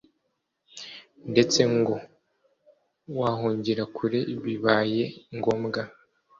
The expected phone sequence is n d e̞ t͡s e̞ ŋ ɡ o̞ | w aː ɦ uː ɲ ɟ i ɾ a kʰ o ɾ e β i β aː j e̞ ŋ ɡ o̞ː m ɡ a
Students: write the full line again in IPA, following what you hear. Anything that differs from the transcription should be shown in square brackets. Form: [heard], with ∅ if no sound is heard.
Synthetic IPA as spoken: n d e̞ t͡s e̞ ŋ ɡ o̞ | w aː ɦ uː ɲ ɟ i ɾ a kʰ [u] ɾ e β i β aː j e̞ ŋ ɡ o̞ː m ɡ a